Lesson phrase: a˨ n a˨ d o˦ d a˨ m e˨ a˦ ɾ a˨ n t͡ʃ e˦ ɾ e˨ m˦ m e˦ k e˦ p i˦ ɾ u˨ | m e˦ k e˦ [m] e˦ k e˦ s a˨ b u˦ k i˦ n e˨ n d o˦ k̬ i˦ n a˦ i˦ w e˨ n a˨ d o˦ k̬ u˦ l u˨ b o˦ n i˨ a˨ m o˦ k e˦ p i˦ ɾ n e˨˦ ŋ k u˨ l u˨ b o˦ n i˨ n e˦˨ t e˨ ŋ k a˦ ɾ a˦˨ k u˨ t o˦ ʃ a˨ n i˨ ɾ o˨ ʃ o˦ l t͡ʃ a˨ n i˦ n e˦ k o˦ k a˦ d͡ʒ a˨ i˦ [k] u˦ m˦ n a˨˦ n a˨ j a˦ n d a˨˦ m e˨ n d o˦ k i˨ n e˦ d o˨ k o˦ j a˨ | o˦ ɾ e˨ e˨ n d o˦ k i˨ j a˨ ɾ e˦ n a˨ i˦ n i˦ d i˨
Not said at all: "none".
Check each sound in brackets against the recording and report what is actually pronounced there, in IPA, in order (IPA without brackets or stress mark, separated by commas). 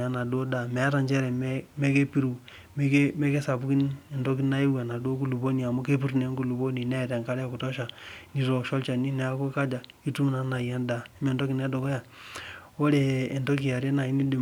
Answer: m, t